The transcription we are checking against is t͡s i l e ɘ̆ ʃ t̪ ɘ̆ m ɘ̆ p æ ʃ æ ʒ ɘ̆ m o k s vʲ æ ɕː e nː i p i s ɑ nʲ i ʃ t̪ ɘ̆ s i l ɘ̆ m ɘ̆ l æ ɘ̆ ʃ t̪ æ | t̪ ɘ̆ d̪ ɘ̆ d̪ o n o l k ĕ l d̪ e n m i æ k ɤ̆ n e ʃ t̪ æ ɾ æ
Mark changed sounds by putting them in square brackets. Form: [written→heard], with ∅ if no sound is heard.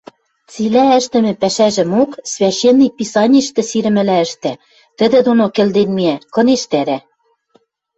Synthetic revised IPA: t͡s i l [e→æ] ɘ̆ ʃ t̪ ɘ̆ m ɘ̆ p æ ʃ æ ʒ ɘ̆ m o k s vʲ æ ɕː e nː i p i s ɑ nʲ i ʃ t̪ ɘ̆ s i [l→ɾ] ɘ̆ m ɘ̆ l æ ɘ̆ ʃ t̪ æ | t̪ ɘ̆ d̪ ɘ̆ d̪ o n o [l→∅] k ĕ l d̪ e n m i æ k ɤ̆ n e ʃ t̪ æ ɾ æ